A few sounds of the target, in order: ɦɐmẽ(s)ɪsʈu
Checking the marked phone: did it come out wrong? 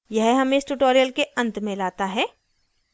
yes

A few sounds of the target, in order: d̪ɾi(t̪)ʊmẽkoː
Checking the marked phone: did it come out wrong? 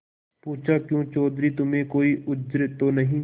no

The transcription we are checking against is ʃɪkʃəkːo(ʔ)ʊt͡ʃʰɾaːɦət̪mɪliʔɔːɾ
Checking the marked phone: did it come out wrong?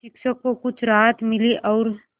yes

